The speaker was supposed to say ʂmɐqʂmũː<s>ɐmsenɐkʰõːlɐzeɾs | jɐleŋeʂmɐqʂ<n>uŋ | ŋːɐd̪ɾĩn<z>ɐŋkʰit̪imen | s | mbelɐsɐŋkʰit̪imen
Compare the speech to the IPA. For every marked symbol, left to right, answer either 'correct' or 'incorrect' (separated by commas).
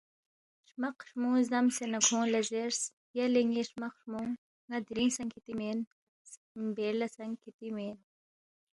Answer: incorrect, incorrect, incorrect